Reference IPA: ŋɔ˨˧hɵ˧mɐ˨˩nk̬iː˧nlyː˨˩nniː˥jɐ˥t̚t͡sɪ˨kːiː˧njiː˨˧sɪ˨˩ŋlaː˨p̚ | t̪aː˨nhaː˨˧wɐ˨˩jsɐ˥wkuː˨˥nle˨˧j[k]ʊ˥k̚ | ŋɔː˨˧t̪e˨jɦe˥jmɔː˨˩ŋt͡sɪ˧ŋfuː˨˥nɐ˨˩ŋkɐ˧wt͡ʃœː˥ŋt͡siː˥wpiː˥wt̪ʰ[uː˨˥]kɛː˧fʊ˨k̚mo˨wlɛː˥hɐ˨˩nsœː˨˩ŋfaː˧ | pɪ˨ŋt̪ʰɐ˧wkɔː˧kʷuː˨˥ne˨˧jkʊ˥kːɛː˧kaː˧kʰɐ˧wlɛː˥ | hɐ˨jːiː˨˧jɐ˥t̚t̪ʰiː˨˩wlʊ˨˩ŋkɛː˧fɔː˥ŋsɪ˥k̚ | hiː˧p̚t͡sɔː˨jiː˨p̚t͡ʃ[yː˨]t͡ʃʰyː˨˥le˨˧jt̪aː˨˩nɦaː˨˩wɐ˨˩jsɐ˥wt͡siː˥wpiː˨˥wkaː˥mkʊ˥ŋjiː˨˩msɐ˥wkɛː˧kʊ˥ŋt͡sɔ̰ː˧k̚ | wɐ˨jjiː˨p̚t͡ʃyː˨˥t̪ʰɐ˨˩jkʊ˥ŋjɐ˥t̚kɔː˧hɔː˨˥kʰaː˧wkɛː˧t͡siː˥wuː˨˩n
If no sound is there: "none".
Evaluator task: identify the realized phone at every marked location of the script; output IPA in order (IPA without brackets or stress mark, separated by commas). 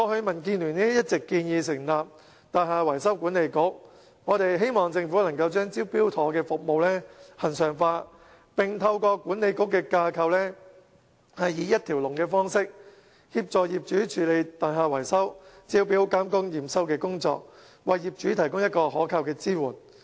k, ɔː˨˥, yː˨˥